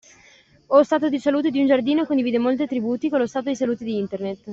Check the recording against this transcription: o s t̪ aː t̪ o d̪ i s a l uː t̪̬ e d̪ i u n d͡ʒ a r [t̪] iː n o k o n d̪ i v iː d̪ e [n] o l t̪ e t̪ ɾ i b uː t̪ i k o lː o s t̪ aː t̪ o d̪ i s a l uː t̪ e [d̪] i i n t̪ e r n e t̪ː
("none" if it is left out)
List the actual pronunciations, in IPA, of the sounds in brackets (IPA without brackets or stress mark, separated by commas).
d̪, m, d̪